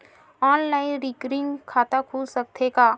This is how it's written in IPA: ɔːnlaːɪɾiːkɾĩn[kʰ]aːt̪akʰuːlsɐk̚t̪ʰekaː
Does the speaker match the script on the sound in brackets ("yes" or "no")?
yes